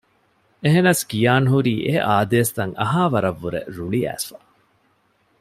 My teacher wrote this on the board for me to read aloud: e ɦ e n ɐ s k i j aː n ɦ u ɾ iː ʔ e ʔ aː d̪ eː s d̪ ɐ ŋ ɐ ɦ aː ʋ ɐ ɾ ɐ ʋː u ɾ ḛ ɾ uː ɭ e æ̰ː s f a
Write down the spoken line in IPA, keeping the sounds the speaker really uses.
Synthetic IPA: e ɦ e n ɐ s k i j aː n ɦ u ɾ iː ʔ e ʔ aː d̪ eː s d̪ ɐ ŋ ɐ ɦ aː ʋ ɐ ɾ ɐ ʋː u ɾ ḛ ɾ u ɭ i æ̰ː s f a